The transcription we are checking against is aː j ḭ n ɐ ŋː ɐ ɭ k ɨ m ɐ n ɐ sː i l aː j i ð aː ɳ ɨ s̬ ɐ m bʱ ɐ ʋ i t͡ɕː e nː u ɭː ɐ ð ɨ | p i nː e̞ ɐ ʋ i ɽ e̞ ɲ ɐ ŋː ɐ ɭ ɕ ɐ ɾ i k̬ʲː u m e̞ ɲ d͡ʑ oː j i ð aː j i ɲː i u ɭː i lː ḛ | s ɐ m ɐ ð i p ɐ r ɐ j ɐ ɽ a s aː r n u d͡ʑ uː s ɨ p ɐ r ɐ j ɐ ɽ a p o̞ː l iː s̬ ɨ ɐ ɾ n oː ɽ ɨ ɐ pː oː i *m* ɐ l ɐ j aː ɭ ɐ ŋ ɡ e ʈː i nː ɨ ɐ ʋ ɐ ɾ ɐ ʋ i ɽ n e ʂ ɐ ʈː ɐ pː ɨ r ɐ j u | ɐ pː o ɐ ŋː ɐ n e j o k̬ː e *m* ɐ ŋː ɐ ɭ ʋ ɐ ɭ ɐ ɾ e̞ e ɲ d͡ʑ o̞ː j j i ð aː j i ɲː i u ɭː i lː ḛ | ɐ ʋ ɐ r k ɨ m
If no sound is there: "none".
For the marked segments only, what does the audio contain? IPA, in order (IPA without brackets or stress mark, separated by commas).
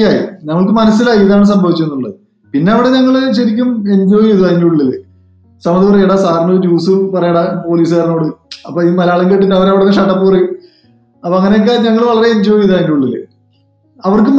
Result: m, ɲ